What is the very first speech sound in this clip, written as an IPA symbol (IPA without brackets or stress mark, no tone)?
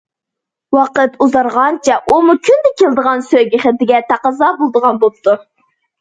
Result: w